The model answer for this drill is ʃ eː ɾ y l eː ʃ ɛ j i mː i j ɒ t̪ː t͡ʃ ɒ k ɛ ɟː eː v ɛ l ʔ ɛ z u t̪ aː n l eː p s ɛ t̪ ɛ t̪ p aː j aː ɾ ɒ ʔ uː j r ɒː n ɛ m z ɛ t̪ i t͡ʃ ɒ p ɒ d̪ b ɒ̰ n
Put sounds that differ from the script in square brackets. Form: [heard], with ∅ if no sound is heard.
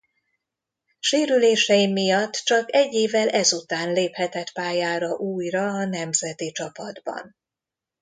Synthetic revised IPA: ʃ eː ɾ y l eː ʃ ɛ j i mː i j ɒ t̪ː t͡ʃ ɒ k ɛ ɟː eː v ɛ l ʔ ɛ z u t̪ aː n l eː p [h] ɛ t̪ ɛ t̪ p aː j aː ɾ ɒ ʔ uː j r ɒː n ɛ m z ɛ t̪ i t͡ʃ ɒ p ɒ d̪ b ɒ̰ n